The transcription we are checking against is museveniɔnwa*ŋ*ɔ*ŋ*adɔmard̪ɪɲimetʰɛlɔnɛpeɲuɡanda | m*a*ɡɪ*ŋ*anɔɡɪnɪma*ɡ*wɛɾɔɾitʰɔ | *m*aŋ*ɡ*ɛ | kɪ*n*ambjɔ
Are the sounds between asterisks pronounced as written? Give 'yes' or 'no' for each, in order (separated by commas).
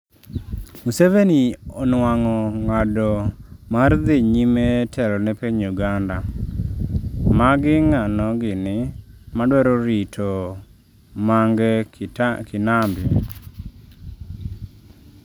yes, yes, yes, yes, no, yes, yes, yes